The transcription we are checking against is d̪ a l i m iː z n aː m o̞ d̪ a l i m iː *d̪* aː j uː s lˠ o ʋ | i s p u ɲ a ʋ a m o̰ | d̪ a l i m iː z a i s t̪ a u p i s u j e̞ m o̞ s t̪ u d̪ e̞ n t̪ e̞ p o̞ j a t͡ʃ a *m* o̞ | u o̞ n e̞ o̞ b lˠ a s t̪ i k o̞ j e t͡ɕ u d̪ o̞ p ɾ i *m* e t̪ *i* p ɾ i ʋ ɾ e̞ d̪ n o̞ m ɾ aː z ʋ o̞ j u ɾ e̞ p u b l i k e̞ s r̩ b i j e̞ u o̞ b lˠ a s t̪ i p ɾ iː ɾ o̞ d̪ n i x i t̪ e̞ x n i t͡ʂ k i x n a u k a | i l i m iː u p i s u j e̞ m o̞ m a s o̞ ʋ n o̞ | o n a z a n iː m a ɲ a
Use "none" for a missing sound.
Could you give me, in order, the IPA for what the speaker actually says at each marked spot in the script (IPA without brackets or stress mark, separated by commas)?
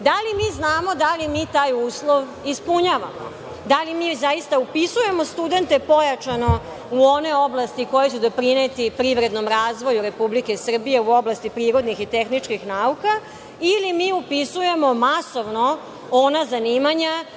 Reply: t̪, n, n, i